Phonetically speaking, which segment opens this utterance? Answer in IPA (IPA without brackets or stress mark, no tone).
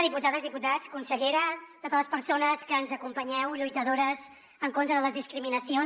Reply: ð